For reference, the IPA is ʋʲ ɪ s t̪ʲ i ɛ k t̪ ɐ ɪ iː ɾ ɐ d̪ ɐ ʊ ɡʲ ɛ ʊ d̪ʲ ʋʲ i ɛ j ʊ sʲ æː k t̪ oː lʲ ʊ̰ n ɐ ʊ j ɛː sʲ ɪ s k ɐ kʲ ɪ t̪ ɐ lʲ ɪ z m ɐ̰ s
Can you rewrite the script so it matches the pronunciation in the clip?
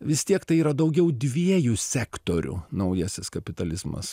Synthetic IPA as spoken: ʋʲ ɪ s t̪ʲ i ɛ k t̪ ɐ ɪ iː ɾ ɐ d̪ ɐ ʊ ɡʲ ɛ ʊ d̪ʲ ʋʲ i ɛ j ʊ sʲ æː k t̪ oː ɾʲ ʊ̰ n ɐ ʊ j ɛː sʲ ɪ s k ɐ pʲ ɪ t̪ ɐ lʲ ɪ z m ɐ̰ s